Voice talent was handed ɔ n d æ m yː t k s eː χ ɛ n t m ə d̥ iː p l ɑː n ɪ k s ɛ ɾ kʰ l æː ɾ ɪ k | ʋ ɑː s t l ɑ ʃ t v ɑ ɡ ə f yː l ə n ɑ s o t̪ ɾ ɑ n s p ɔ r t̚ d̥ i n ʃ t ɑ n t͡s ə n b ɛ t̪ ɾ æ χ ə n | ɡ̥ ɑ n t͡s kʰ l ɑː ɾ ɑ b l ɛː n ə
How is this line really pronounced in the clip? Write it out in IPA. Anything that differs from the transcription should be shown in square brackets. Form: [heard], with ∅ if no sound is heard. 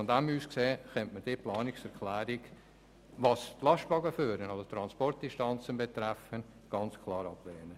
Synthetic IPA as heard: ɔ n d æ m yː [s] k s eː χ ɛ n t m ə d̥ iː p l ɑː n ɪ k s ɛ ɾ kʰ l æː ɾ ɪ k | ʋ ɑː s t l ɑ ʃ t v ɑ ɡ ə f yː [ɾ] ə n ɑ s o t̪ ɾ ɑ n s p ɔ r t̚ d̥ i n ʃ t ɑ n t͡s ə n b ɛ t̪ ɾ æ [f] ə n | ɡ̥ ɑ n t͡s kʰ l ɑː ɾ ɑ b l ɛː n ə

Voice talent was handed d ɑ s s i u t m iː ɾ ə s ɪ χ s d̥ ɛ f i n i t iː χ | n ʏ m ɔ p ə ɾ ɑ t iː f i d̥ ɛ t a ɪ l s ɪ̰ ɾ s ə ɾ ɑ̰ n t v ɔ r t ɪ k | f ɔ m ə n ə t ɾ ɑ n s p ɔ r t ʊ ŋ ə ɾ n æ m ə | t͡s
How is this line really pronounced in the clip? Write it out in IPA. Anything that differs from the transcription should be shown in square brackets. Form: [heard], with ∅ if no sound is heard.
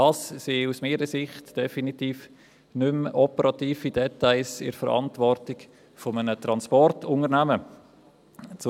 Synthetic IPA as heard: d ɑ s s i u [s] m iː ɾ ə s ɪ χ [t] d̥ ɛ f i n i t iː [f] | n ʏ m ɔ p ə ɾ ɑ t iː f i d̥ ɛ t a ɪ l s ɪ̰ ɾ [f] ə ɾ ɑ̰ n t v ɔ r t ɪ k | f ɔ m ə n ə t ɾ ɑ n s p ɔ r t ʊ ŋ ə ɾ n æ m ə | t͡s

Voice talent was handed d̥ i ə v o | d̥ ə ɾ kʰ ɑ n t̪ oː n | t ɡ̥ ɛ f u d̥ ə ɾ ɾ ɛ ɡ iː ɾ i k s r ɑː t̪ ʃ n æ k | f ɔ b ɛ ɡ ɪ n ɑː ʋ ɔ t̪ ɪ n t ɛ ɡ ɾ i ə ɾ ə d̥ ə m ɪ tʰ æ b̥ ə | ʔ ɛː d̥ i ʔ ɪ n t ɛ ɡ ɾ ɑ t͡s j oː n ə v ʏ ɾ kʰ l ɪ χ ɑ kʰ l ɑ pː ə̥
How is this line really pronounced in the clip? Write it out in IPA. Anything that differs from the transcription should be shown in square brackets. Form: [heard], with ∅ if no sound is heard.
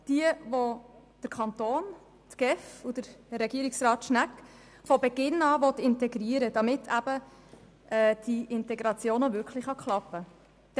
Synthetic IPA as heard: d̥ i ə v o | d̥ ə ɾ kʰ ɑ n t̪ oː n | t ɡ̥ ɛ f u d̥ ə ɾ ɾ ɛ ɡ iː ɾ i k s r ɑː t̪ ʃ n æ k | f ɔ b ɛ ɡ ɪ n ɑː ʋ ɔ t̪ ɪ n t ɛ ɡ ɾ i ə ɾ ə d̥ [ɑ] m ɪ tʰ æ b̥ ə | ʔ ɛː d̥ i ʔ ɪ n t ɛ ɡ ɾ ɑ t͡s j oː n ə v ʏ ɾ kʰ l ɪ χ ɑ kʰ l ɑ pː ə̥

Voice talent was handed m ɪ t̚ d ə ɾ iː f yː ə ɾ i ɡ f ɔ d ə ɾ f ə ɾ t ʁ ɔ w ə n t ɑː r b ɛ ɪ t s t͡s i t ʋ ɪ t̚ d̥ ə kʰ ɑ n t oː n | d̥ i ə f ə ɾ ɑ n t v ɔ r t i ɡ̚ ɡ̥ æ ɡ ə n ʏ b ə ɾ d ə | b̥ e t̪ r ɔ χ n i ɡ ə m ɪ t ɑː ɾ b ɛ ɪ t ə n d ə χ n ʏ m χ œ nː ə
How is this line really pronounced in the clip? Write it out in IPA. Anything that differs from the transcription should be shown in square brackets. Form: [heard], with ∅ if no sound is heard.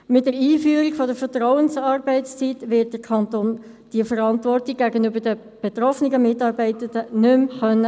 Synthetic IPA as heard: m ɪ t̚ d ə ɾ iː f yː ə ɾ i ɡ f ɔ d ə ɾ f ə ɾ t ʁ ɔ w ə n [s] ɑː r b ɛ ɪ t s t͡s i t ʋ ɪ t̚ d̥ ə kʰ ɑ n t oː n | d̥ i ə f ə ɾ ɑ n t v ɔ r t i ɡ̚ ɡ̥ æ ɡ ə n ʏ b ə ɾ d ə | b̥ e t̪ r ɔ [f] n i ɡ ə m ɪ t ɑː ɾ b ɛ ɪ t ə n d ə [∅] n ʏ m χ œ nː ə

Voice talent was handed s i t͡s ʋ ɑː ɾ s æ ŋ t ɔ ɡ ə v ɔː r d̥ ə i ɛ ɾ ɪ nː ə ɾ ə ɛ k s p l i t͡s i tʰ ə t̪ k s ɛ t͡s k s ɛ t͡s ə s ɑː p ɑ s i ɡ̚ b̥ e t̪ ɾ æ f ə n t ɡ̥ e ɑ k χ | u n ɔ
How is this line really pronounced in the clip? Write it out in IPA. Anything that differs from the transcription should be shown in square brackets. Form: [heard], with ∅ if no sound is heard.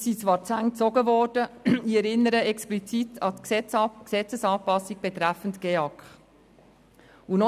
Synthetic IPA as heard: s i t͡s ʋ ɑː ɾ [t͡s] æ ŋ [t͡s] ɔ ɡ ə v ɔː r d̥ ə i ɛ ɾ ɪ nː ə ɾ ə ɛ k s p l i t͡s i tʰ [ɑ] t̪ k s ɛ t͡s k s ɛ t͡s ə s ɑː p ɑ s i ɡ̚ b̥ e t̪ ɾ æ f ə n t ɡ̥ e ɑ k χ | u n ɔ

